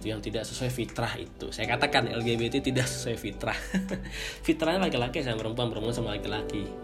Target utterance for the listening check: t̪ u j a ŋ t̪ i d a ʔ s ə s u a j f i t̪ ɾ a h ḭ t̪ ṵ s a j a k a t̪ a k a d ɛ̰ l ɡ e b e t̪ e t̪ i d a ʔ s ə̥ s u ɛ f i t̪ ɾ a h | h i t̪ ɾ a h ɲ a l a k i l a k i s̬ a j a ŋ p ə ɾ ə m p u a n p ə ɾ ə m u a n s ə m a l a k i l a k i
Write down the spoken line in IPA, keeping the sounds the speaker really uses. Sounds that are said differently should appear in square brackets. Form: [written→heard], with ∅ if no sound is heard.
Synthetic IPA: t̪ u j a ŋ t̪ i d a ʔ s ə s u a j f i t̪ ɾ a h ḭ t̪ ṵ s a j a k a t̪ a k a [d→n] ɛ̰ l ɡ e b e t̪ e t̪ i d a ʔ s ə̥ s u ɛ f i t̪ ɾ a h | [h→f] i t̪ ɾ a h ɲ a l a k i l a k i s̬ a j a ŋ p ə ɾ ə m p u a n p ə ɾ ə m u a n s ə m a l a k i l a k i